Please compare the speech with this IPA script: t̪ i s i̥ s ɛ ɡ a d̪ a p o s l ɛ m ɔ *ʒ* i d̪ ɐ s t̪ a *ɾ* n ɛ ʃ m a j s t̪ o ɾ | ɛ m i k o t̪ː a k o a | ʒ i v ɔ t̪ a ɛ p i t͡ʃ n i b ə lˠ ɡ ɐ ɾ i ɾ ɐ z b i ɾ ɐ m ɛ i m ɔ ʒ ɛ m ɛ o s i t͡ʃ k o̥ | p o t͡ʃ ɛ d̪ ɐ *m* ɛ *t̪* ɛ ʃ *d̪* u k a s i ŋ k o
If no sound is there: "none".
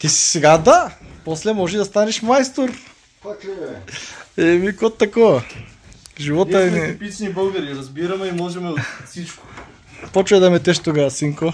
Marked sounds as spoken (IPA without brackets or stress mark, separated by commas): ʒ, none, m, t̪, t̪